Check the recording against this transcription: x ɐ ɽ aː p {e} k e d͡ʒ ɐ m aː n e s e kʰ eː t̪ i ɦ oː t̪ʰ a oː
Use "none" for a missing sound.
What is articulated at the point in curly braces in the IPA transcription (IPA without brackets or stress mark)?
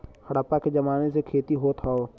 a